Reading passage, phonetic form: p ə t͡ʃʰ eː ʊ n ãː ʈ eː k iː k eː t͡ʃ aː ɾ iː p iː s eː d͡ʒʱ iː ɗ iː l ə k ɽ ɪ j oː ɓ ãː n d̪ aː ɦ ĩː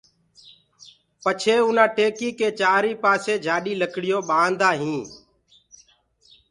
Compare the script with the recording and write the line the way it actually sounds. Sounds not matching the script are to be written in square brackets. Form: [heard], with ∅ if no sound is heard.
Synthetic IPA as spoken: p ə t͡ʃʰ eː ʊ n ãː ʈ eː k iː k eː t͡ʃ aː ɾ iː p [aː] s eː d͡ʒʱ [aː] ɗ iː l ə k ɽ ɪ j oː ɓ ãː n d̪ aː ɦ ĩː